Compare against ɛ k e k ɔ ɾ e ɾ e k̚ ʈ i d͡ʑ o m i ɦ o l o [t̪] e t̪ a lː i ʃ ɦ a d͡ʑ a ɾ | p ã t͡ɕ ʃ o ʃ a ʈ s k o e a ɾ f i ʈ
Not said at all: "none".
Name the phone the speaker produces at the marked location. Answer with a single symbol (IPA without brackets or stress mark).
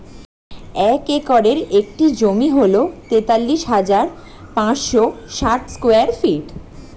t̪